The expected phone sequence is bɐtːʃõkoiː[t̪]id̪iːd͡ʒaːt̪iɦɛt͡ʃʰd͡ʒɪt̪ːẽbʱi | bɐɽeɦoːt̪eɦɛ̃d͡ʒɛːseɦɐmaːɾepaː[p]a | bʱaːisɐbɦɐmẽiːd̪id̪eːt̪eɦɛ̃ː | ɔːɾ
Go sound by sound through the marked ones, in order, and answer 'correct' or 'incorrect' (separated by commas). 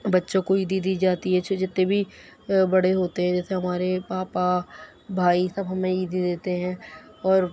incorrect, correct